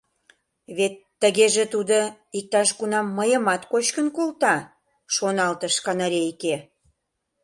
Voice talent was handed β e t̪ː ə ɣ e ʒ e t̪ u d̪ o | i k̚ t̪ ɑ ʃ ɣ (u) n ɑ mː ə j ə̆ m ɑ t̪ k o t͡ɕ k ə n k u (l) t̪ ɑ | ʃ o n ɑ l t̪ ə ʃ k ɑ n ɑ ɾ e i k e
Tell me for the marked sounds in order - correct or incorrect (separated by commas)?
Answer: correct, correct